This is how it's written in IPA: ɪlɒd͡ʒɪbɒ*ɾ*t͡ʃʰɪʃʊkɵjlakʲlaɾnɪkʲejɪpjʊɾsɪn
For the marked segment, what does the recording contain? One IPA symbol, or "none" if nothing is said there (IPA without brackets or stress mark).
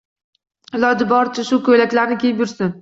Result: ɾ